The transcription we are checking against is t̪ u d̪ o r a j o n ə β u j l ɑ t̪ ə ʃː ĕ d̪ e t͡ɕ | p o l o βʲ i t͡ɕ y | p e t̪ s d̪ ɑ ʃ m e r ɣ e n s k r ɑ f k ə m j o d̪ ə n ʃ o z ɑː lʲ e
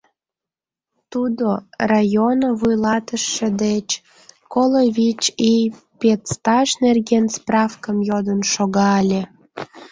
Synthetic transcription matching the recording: t̪ u d̪ o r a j o n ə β u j l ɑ t̪ ə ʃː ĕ d̪ e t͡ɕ | k o l o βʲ i t͡ɕ i | p e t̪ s t̪ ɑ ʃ n e r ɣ e n s p r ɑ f k ə m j o d̪ ə n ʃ o ɣ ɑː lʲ e